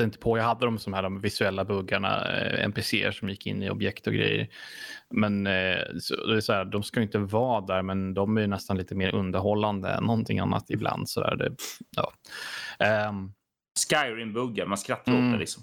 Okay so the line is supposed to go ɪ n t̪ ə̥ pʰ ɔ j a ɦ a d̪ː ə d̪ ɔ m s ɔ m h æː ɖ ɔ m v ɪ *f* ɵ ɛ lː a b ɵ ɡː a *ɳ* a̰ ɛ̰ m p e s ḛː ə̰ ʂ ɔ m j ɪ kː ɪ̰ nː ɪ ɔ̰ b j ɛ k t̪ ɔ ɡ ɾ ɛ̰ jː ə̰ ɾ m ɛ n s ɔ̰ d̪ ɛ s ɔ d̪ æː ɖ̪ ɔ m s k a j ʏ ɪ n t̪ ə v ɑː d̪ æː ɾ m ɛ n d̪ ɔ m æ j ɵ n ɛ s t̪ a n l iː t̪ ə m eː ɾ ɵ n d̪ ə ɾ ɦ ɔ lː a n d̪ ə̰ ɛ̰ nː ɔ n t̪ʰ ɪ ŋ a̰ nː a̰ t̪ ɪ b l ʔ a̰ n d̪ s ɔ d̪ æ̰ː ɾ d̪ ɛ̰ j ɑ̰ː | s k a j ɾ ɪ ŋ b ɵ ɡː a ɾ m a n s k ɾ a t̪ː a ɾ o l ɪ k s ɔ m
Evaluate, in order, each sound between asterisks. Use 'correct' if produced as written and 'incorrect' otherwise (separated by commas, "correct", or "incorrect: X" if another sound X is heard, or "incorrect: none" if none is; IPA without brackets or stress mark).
incorrect: s, correct